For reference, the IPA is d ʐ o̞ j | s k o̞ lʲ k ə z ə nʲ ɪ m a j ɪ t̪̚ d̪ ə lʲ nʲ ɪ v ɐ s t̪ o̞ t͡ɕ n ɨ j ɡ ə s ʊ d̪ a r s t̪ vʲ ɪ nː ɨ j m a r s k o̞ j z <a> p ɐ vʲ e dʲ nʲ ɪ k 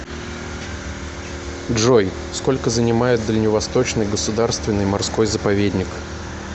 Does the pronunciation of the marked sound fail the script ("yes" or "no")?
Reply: yes